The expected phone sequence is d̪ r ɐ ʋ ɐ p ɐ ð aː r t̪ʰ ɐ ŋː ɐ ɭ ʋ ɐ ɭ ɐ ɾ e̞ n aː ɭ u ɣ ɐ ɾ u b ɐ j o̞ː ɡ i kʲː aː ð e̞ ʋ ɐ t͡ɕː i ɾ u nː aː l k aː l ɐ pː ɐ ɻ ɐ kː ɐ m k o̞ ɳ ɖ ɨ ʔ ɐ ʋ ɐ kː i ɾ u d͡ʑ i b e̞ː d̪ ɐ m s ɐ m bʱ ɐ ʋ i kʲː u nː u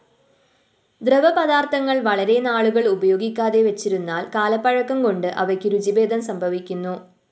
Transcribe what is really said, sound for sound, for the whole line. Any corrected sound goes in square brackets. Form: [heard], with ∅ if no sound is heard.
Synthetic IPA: d̪ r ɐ ʋ ɐ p ɐ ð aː r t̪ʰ ɐ ŋː ɐ ɭ ʋ ɐ ɭ ɐ ɾ e̞ n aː ɭ u ɣ ɐ [ɭ] u b ɐ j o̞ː ɡ i kʲː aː ð e̞ ʋ ɐ t͡ɕː i ɾ u nː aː l k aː l ɐ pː ɐ ɻ ɐ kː ɐ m k o̞ ɳ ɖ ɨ ʔ ɐ ʋ ɐ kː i ɾ u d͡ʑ i b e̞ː d̪ ɐ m s ɐ m bʱ ɐ ʋ i kʲː u nː u